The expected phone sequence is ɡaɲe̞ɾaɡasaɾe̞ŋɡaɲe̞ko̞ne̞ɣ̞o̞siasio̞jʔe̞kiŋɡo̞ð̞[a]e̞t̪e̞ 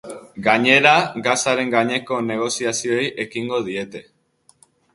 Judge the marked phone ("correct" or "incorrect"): incorrect